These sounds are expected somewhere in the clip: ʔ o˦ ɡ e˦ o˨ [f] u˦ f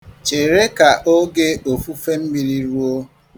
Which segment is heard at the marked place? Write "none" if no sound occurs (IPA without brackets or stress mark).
f